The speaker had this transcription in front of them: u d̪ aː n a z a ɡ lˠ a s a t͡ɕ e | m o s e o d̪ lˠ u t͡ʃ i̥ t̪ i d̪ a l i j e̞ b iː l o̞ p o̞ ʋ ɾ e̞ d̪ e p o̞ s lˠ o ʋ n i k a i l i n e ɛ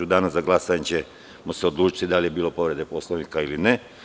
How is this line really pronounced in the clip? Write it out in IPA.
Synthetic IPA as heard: u d̪ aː n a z a ɡ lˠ a s a t͡ɕ e | m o s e o d̪ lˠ uː t͡ʃ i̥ t̪ i d̪ a l i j e̞ b iː l o̞ p o̞ ʋ ɾ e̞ d̪ e p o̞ s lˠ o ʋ n i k a i l i n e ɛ